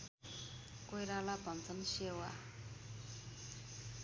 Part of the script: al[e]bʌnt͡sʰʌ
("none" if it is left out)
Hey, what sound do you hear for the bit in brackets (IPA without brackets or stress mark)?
a